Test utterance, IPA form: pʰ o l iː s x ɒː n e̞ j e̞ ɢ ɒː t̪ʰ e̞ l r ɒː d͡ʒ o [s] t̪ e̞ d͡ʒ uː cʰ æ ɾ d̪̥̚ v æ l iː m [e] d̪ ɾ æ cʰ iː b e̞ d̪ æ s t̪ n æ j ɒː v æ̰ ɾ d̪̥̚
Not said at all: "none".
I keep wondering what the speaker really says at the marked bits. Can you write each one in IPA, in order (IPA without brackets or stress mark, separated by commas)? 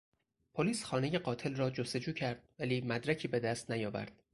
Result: s, æ